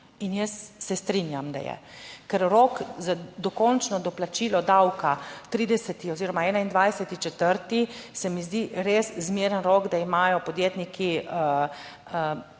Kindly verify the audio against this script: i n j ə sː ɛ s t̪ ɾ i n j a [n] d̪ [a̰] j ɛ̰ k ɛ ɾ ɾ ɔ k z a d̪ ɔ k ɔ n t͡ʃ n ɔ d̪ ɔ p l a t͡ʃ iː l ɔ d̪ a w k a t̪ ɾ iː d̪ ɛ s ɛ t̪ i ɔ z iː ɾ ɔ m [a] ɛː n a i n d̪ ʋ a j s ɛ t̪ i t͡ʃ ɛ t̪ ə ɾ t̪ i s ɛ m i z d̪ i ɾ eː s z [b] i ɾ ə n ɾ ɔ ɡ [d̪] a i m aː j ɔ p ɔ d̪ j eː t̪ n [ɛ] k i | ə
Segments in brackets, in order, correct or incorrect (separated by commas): incorrect, correct, correct, incorrect, correct, incorrect